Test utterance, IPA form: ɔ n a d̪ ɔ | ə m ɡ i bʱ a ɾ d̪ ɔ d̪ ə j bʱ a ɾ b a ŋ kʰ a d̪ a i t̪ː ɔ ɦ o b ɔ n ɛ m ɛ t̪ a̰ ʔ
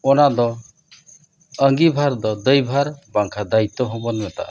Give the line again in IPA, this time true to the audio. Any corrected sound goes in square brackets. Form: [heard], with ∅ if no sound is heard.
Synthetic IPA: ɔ n a d̪ ɔ | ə [ŋ] ɡ i bʱ a ɾ d̪ ɔ d̪ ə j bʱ a ɾ b a ŋ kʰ a d̪ a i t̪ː ɔ ɦ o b ɔ n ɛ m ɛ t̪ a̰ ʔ